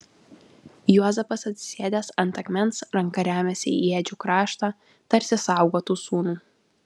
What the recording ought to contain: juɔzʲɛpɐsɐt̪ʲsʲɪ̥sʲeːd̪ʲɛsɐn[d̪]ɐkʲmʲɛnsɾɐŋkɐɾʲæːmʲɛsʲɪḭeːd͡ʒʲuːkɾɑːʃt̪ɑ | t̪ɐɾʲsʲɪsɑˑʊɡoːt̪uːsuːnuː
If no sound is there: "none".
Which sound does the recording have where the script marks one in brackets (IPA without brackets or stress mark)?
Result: t̪